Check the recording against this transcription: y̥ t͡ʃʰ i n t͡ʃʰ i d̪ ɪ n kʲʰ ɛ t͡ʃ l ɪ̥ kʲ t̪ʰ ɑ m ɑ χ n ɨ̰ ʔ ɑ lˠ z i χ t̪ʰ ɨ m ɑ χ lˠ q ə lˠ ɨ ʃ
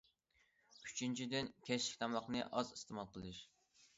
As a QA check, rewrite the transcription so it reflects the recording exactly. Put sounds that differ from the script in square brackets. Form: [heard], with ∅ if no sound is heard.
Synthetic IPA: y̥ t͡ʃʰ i n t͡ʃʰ i d̪ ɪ n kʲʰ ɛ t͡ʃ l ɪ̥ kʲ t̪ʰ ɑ m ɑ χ n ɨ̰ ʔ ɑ [∅] z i [s] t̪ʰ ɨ m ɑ [∅] lˠ q ə lˠ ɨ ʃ